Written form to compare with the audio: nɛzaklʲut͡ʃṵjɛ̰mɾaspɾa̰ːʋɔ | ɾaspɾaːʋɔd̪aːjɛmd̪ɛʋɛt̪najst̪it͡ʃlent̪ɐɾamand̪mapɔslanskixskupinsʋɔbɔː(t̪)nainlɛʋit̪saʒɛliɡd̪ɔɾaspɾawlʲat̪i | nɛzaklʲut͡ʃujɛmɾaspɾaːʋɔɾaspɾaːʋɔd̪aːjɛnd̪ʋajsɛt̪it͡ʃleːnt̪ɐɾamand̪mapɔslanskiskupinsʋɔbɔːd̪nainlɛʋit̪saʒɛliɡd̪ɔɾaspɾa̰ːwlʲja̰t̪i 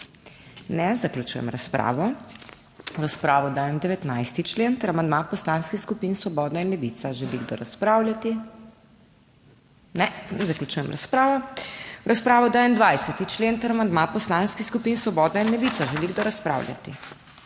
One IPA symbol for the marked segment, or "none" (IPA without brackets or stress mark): d̪